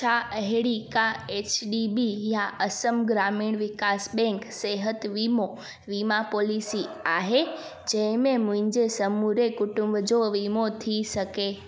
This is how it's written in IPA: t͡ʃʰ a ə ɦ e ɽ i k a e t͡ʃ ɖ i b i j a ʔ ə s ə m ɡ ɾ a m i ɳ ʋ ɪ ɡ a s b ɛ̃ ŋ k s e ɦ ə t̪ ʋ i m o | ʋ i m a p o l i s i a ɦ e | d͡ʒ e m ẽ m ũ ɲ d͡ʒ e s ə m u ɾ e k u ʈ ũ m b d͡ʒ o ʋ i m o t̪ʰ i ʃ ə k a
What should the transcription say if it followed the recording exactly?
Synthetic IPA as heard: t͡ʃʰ a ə ɦ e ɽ i k a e t͡ʃ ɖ i b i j a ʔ ə s ə m ɡ ɾ a m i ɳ ʋ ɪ k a s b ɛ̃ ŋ k s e ɦ ə t̪ ʋ i m o | ʋ i m a p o l i s i a ɦ e | d͡ʒ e m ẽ m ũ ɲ d͡ʒ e s ə m u ɾ e k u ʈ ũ m b d͡ʒ o ʋ i m o t̪ʰ i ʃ ə k e